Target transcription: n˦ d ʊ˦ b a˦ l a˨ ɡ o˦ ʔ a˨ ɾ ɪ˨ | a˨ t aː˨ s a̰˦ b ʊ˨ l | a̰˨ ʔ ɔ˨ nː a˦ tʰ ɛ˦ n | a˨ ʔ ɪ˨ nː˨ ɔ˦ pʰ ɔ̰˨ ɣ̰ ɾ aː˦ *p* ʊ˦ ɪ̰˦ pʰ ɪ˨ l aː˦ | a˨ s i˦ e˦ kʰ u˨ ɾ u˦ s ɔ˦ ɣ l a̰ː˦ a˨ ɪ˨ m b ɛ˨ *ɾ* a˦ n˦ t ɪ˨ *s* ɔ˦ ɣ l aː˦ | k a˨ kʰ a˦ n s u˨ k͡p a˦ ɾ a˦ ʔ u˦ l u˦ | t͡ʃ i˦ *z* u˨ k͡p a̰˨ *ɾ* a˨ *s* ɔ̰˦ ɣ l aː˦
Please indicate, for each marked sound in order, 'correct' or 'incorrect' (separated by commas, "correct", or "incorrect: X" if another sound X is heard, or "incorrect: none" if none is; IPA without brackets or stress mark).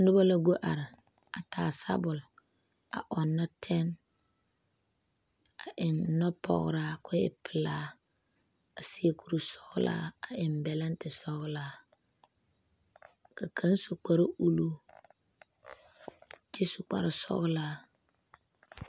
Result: incorrect: k, incorrect: l, correct, incorrect: s, correct, correct